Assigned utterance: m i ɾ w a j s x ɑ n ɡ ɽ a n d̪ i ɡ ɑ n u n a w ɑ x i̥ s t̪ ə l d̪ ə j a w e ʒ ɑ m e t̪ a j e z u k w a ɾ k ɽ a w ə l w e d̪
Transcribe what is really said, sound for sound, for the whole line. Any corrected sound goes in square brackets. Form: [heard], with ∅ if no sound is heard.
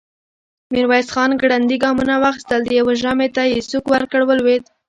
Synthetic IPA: m i ɾ w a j s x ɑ n ɡ ɽ a n d̪ i ɡ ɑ [m] u n a w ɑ x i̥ s t̪ ə l d̪ ə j a w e ʒ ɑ m e t̪ a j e [s] u k w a ɾ k ɽ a w ə l w e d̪

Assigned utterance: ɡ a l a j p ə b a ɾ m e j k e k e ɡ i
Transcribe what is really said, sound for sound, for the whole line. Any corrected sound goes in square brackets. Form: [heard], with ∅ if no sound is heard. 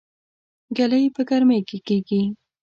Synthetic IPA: ɡ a l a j p ə [ɡ] a ɾ m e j k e k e ɡ i

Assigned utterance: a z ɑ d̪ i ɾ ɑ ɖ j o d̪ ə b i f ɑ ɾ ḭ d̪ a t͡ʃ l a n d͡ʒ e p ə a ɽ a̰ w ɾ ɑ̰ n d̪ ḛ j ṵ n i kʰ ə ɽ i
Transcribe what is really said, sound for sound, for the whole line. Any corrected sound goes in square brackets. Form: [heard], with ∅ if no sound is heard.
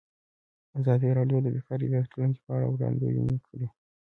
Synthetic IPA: a z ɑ d̪ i ɾ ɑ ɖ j o d̪ ə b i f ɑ ɾ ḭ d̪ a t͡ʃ l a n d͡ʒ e p ə a ɽ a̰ w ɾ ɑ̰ n d̪ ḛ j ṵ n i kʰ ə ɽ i

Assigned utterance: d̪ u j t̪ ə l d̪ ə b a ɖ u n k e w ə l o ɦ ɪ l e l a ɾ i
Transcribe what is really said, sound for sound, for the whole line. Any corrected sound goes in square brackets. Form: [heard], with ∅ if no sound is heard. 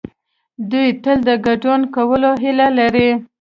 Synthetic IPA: d̪ u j t̪ ə l d̪ ə [ɡ] a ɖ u n k [a] w ə l o ɦ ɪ l [a] l a ɾ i

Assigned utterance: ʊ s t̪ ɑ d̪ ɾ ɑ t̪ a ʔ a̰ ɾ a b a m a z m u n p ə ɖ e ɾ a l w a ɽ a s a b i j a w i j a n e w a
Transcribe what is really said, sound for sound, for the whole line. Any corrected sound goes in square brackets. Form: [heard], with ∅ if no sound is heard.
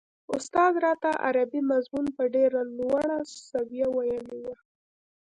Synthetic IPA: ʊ s t̪ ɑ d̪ ɾ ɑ t̪ a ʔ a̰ ɾ a b [i] m a z m u n p ə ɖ e ɾ a l w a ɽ a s a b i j a w [a] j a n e w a

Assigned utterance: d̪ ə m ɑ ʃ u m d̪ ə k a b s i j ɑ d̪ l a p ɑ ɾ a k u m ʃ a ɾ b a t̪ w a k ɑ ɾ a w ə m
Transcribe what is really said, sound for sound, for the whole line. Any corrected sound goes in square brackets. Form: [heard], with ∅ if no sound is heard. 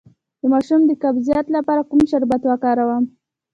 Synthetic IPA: d̪ ə m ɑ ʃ u m d̪ ə k a b [z] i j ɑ [t̪] l a p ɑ ɾ a k u m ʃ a ɾ b a t̪ w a k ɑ ɾ a w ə m

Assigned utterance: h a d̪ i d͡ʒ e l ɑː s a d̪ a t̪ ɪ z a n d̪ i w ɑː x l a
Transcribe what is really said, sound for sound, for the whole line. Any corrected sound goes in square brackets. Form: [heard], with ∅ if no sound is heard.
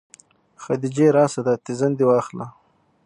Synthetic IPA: [x] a d̪ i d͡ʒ e [ɾ] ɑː s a d̪ a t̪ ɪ z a n d̪ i w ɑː x l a

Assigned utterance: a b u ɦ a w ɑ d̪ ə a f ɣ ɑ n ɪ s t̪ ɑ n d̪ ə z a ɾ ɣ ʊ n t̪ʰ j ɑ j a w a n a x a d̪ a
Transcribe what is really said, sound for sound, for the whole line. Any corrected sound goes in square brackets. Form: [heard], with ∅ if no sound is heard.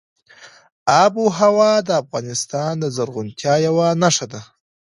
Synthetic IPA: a b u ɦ a w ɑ d̪ ə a f ɣ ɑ n ɪ s t̪ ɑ n d̪ ə z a ɾ ɣ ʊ n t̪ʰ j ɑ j a w a n a [ʂ] a d̪ a

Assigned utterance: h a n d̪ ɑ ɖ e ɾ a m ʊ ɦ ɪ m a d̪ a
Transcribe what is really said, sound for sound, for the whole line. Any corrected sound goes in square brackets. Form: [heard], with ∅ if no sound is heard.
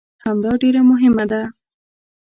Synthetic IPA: h a [m] d̪ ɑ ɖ e ɾ a m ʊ ɦ ɪ m a d̪ a

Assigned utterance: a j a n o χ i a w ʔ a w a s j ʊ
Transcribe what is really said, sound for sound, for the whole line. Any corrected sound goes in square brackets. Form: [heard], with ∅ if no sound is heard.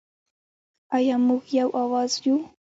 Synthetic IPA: a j a [m] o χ [j] a w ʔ a w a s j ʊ

